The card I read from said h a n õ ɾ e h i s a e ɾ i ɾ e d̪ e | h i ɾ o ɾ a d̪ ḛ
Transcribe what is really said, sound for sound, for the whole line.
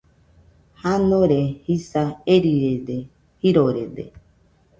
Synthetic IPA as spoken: h a n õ ɾ e h i s a e ɾ i ɾ e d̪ e | h i ɾ o ɾ e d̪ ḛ